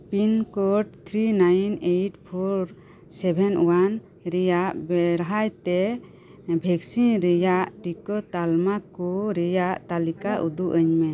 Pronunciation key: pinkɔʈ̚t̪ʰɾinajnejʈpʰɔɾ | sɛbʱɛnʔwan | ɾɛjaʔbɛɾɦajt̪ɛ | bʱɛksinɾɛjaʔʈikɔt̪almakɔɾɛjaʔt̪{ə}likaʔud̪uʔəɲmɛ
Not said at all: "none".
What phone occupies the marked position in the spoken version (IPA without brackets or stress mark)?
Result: a